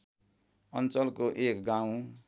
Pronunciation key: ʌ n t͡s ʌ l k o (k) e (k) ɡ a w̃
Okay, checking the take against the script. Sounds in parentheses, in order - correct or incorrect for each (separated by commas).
incorrect, correct